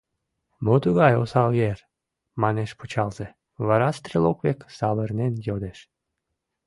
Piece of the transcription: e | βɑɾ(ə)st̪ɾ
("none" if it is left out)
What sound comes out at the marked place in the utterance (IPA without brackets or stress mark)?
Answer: ɑ